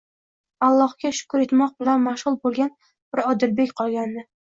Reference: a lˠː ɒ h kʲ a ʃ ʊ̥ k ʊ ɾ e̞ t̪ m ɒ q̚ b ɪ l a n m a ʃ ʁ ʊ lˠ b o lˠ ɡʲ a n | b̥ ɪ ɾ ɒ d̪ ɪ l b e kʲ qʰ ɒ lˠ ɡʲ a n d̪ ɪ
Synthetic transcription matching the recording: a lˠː ɒ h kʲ a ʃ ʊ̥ k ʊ ɾ e̞ t̪ m ɒ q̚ b ɪ l a n m a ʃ ʁ ʊ lˠ b o lˠ ɡʲ a n | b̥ ɪ ɾ ɒ d̪ ɪ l b e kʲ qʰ ɒ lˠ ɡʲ a n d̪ ɪ